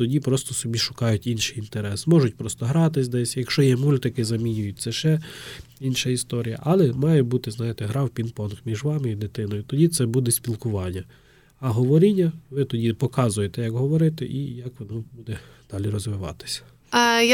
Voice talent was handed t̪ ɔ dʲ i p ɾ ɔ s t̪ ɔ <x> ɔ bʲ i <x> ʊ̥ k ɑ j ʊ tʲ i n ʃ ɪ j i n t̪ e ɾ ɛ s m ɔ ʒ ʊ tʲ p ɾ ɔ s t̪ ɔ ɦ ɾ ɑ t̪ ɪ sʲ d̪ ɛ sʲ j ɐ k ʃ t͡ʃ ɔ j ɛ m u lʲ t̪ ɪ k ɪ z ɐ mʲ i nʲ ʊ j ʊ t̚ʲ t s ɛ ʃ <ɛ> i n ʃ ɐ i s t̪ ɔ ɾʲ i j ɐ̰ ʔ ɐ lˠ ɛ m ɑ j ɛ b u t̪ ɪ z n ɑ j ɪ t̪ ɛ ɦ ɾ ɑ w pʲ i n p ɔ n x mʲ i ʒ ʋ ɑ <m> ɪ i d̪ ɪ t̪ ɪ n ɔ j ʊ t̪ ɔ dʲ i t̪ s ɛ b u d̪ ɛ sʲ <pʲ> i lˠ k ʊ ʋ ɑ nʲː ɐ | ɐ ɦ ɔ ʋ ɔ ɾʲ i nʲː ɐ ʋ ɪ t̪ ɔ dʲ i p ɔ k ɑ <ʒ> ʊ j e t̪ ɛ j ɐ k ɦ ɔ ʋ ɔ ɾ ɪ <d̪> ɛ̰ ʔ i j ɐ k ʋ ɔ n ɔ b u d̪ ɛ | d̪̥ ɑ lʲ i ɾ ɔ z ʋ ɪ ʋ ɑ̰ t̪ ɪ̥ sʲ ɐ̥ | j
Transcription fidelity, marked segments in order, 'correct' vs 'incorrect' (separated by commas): incorrect, incorrect, correct, correct, correct, incorrect, incorrect